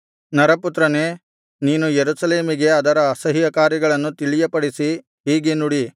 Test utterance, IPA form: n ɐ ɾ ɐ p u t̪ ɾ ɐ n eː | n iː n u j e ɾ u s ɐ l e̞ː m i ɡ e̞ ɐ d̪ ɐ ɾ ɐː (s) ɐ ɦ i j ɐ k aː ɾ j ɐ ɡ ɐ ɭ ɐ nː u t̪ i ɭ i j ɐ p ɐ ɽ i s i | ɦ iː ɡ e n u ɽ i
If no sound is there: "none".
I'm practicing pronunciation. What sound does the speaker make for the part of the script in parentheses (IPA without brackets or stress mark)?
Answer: s